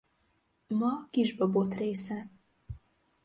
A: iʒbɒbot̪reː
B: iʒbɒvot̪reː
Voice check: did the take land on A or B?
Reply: A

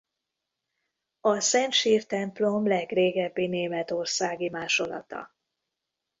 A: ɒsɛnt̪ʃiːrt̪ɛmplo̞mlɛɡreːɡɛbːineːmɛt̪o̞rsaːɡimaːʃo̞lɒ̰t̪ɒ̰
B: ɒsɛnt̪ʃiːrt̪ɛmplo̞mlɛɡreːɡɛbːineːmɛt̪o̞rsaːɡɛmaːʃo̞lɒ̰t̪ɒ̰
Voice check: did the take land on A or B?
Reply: A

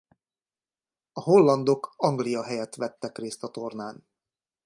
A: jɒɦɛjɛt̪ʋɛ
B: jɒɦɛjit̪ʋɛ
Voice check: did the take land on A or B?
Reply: A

